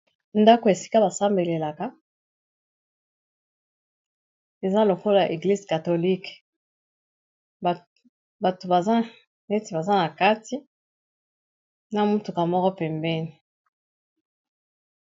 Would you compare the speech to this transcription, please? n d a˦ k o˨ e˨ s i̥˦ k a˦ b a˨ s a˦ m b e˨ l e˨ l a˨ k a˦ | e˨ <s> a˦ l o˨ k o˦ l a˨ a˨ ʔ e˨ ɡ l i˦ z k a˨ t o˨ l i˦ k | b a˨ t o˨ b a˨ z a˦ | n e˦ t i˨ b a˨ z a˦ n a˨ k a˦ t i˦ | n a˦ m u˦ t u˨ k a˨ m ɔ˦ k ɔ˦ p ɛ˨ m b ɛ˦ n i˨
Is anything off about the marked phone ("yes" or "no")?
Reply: yes